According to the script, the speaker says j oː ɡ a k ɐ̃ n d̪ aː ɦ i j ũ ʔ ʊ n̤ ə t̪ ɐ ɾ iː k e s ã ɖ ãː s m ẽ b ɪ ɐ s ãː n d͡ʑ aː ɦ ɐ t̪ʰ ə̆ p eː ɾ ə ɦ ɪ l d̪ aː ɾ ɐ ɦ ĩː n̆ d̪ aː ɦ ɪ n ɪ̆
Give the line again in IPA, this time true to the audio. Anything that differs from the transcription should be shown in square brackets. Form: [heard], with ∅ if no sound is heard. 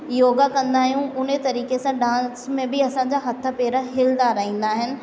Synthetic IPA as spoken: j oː ɡ a k ɐ̃ n d̪ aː ɦ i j ũ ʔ ʊ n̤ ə t̪ ɐ ɾ iː k e s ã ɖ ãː s m ẽ b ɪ ɐ s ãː [ɲ] d͡ʑ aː ɦ ɐ t̪ʰ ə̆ p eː ɾ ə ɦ ɪ l d̪ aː ɾ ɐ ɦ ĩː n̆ d̪ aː ɦ ɪ n ɪ̆